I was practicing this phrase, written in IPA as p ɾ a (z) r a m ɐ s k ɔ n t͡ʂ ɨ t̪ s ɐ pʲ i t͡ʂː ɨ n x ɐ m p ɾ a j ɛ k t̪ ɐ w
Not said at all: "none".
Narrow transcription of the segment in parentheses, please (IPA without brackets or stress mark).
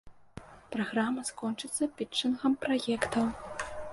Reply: ɣ